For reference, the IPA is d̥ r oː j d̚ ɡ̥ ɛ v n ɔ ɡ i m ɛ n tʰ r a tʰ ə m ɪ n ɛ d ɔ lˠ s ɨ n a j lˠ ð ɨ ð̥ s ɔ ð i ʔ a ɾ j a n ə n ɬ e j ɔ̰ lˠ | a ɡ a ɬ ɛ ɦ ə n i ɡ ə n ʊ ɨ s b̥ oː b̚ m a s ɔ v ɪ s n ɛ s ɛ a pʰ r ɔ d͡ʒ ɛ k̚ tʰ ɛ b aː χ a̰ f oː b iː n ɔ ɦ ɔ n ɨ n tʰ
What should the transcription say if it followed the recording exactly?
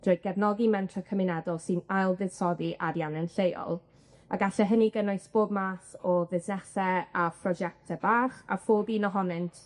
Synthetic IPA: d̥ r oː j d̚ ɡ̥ ɛ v n ɔ ɡ i m ɛ n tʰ r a kʰ ə m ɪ n ɛ d ɔ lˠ s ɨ n a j lˠ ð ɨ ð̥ s ɔ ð i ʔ a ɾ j a n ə n ɬ e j ɔ̰ lˠ | a ɡ a ɬ ɛ ɦ ə n i ɡ ə n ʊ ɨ s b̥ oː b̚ m a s ɔ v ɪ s n ɛ s ɛ a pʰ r ɔ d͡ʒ ɛ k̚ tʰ ɛ b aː χ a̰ f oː b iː n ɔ ɦ ɔ n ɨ n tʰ